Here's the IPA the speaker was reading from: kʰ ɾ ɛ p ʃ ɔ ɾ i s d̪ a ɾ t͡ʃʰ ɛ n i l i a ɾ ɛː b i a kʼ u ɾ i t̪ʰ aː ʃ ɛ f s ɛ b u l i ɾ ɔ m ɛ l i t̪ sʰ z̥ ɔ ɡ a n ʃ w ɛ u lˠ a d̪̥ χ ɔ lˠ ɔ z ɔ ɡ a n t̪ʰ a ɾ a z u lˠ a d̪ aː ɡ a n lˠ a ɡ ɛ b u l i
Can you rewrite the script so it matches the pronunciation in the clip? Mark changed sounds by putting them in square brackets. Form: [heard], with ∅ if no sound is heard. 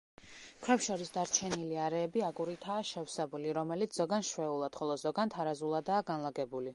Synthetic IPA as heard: kʰ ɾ ɛ p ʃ ɔ ɾ i s d̪ a ɾ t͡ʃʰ ɛ n i l i a ɾ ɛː b i a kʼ u ɾ i t̪ʰ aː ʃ ɛ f s ɛ b u l i ɾ ɔ m ɛ l i t̪ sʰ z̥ ɔ ɡ a n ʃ w ɛ u lˠ a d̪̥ χ ɔ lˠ ɔ z ɔ ɡ a n t̪ʰ a ɾ a z u lˠ a d̪ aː ɡ a n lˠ a ɡ ɛ b u l i